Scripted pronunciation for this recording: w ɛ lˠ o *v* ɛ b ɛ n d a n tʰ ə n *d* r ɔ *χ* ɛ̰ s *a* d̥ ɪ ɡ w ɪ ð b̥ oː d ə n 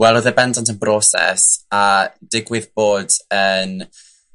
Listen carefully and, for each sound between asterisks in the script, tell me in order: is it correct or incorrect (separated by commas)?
incorrect, incorrect, incorrect, correct